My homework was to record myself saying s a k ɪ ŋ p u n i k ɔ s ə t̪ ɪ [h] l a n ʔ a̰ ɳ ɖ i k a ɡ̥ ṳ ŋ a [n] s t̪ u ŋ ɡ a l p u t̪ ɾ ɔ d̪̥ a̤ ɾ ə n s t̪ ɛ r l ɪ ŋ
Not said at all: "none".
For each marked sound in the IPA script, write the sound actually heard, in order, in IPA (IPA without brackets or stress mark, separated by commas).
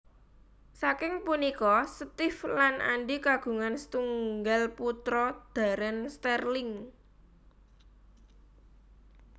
f, n